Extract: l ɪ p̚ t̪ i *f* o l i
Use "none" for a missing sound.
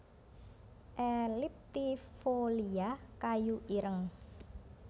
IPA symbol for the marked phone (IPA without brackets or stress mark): f